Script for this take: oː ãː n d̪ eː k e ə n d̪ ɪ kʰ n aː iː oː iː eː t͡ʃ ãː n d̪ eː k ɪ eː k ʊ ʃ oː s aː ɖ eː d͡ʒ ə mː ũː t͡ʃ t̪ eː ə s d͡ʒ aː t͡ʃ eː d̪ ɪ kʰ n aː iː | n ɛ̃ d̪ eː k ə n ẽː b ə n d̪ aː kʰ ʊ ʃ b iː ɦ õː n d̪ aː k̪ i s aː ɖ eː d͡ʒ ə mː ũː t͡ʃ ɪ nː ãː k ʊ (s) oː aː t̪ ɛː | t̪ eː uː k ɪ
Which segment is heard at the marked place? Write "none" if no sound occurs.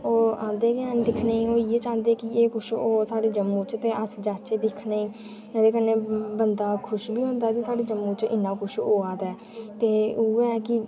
ʃ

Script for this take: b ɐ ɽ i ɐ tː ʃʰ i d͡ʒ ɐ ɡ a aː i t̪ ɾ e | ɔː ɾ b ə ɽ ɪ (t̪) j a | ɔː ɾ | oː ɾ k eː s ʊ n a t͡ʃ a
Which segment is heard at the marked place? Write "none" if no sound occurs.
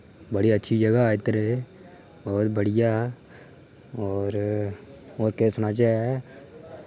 none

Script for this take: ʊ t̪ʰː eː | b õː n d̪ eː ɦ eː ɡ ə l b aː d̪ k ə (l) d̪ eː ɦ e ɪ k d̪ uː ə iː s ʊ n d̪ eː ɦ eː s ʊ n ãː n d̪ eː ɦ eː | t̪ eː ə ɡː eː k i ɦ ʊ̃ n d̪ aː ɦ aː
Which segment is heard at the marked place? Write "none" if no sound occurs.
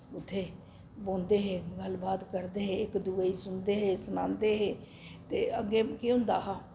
ɾ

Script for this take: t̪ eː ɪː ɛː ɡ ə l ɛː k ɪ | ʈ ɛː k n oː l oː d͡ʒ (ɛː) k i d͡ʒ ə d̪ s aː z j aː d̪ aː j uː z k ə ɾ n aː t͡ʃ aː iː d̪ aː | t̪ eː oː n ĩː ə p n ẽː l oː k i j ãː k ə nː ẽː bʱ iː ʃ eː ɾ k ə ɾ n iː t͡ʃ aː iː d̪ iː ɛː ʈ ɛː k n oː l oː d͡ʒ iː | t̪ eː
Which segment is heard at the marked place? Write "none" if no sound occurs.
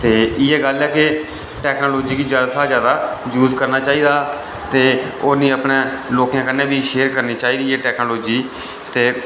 iː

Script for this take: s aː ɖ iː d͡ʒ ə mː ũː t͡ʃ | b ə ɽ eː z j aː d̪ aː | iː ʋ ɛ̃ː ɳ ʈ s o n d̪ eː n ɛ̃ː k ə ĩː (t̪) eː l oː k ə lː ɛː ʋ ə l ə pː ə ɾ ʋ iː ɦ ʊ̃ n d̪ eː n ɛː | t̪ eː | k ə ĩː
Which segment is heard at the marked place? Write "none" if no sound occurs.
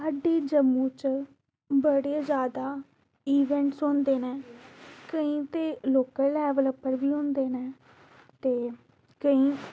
t̪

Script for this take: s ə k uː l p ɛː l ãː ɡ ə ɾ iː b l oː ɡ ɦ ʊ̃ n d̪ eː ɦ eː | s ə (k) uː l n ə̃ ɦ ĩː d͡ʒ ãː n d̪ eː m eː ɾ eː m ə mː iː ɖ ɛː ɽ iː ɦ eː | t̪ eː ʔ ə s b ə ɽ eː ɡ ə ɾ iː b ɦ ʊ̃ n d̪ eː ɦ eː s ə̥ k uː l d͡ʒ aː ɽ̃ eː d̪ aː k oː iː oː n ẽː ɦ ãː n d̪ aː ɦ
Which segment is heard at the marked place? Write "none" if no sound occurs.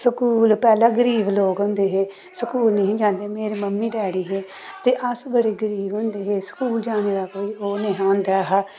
k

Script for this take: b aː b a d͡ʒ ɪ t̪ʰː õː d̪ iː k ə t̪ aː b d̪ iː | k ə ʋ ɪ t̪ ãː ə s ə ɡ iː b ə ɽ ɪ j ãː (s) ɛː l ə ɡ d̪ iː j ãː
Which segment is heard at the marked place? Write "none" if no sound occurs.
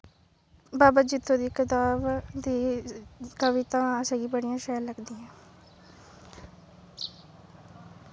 ʃ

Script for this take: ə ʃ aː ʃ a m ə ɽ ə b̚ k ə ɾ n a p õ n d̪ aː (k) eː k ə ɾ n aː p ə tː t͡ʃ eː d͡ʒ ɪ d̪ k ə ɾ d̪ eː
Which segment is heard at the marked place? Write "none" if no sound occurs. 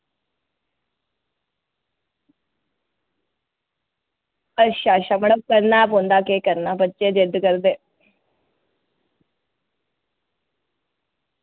k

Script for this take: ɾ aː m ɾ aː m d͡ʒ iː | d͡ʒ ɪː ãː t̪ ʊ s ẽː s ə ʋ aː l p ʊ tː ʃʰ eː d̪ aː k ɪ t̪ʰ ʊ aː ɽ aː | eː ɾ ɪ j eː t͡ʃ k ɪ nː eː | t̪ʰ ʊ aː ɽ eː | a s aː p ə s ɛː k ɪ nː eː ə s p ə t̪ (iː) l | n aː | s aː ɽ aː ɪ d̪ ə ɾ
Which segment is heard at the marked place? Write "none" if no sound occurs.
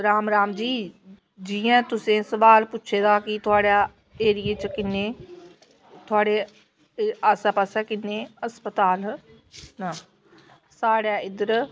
aː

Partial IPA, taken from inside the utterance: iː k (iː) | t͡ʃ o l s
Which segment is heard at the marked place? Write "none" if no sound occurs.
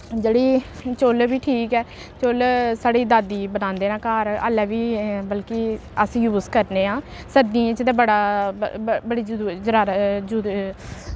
ɛː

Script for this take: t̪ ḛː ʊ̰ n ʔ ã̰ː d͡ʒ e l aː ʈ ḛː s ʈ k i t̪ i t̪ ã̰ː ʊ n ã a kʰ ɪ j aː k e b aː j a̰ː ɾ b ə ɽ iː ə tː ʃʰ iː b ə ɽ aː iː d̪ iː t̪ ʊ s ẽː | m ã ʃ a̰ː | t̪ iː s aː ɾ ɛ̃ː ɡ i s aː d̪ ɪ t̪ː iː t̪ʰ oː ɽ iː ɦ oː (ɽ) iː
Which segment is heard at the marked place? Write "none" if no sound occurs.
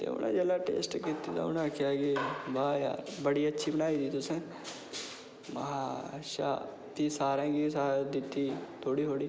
ɽ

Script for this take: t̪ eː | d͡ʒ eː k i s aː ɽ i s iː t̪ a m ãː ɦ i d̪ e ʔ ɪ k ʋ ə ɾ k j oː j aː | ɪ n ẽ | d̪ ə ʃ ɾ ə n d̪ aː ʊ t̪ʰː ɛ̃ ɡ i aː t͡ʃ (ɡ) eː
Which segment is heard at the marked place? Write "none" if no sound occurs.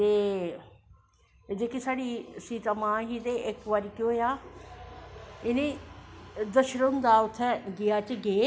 ɡ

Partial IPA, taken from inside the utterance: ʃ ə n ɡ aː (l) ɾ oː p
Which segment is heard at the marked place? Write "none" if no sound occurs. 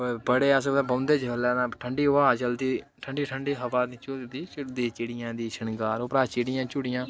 none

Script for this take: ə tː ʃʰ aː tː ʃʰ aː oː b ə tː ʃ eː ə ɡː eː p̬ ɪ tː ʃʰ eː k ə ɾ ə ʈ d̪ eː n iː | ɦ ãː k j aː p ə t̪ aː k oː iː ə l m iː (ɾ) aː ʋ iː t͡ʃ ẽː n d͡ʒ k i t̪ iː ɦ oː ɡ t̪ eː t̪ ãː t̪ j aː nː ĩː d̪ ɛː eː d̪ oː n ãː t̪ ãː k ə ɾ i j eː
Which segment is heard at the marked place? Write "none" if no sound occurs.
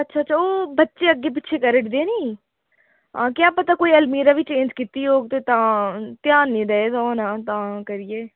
ɾ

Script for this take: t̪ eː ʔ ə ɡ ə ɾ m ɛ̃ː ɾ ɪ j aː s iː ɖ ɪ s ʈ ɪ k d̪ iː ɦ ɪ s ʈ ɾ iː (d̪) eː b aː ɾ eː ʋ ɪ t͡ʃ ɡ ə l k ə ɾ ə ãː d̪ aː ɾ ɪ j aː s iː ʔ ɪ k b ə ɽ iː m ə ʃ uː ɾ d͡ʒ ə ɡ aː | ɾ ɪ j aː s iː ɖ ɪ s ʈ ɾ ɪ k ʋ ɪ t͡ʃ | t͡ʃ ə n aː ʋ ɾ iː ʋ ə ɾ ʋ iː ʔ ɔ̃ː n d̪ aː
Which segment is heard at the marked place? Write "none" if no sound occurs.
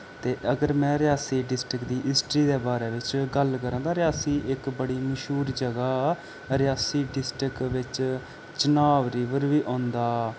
d̪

